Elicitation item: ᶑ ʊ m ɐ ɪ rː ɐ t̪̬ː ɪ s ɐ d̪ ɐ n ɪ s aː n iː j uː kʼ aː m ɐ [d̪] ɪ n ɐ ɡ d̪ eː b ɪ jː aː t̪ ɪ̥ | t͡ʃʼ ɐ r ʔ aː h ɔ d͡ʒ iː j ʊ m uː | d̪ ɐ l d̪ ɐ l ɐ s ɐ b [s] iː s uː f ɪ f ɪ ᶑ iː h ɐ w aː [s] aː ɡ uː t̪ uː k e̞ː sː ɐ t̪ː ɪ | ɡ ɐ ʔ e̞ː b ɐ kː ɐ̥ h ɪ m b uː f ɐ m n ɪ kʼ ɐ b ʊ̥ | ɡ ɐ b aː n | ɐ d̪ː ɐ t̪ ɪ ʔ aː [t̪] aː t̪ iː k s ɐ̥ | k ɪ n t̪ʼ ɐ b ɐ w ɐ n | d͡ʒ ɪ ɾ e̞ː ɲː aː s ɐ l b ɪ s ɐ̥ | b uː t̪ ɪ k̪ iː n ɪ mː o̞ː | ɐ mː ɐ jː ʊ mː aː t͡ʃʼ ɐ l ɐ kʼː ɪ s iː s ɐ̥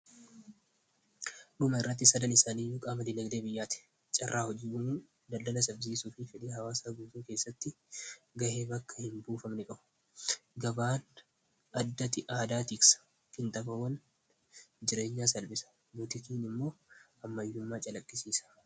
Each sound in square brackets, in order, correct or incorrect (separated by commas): correct, incorrect, correct, incorrect